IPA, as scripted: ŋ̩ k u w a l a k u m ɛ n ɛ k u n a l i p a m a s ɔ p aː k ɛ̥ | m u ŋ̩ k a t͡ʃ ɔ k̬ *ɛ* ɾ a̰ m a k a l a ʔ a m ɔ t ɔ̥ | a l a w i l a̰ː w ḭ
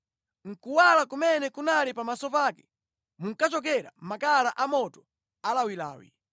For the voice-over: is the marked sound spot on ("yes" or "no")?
yes